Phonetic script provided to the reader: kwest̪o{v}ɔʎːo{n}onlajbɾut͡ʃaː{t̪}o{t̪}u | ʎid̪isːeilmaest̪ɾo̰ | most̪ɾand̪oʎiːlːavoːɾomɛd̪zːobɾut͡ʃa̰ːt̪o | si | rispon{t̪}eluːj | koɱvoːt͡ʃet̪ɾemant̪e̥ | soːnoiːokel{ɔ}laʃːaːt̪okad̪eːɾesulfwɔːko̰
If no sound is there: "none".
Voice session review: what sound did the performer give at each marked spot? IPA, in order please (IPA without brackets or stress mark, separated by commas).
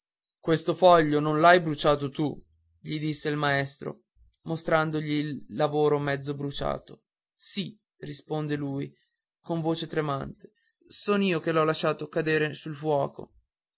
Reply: f, n, t̪, t̪, d̪, ɔ